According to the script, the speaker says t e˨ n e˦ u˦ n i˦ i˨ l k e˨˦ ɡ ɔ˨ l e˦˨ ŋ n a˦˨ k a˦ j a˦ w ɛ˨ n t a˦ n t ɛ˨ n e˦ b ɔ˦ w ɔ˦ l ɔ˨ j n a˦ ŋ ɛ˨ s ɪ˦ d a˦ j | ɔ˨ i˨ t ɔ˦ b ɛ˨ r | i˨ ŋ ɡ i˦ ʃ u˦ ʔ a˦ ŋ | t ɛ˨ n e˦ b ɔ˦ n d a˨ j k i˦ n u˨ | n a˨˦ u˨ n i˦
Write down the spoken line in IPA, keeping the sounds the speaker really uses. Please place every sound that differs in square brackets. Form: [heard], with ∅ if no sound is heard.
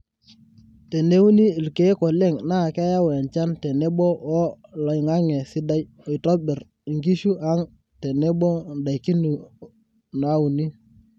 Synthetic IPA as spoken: t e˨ n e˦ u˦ n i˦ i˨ l k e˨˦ [k] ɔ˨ l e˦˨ ŋ n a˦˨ k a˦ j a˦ w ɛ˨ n [t͡ʃ] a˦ n t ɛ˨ n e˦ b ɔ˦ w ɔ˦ l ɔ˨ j [ŋ] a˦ ŋ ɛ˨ s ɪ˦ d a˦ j | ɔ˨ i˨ t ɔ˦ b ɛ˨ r | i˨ ŋ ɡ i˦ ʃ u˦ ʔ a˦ ŋ | t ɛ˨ n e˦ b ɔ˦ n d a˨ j k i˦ n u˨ | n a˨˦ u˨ n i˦